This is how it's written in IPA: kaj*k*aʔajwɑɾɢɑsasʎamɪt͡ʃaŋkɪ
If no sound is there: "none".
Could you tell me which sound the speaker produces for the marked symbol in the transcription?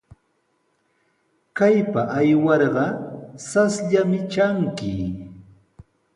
p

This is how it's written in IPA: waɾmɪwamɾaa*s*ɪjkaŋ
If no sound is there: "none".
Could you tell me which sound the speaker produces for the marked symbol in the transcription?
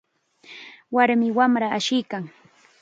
ʃ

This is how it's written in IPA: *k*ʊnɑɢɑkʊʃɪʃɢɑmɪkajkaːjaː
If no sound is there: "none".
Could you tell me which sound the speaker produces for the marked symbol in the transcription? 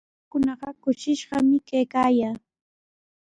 k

